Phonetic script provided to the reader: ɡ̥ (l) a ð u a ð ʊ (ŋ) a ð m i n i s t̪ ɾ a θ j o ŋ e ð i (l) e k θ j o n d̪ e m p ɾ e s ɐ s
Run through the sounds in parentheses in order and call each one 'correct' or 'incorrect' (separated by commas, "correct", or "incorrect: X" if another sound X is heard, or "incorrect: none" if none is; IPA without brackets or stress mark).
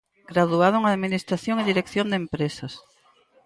incorrect: ɾ, correct, incorrect: ɾ